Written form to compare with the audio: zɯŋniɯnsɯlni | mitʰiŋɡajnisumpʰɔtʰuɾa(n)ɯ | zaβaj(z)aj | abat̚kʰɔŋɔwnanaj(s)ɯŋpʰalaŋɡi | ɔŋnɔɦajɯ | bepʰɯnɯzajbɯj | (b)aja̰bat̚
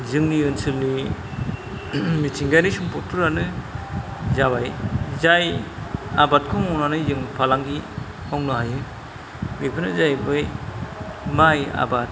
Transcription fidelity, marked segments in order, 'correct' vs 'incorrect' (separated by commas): correct, correct, incorrect, incorrect